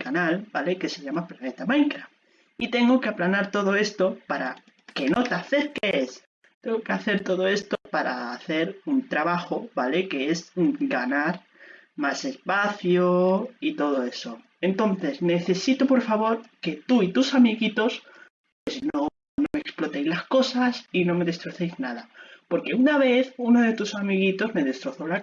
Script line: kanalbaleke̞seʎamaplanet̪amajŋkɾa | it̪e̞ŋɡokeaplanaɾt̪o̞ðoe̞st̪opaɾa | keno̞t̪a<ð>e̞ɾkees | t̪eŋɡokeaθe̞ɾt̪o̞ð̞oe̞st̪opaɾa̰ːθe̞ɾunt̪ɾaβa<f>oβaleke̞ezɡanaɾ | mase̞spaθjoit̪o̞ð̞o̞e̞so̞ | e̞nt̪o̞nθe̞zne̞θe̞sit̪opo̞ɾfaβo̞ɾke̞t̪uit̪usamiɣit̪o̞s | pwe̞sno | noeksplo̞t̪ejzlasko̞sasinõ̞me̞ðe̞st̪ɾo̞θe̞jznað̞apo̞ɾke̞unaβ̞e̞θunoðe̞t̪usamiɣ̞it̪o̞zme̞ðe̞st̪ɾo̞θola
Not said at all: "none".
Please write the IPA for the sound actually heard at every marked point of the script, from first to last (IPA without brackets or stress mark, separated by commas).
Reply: θ, x